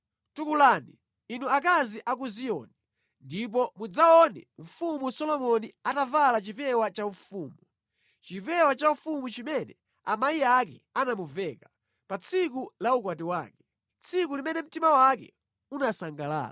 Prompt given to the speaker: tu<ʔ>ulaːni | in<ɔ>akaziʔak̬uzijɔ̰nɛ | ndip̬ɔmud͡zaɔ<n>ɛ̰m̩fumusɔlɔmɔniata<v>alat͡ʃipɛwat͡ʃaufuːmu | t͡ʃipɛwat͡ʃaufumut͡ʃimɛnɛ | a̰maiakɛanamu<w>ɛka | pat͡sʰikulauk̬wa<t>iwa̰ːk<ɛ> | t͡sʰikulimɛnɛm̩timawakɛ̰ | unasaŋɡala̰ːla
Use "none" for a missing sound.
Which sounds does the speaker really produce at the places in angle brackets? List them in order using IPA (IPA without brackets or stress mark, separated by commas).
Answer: k, u, n, v, v, t, ɛ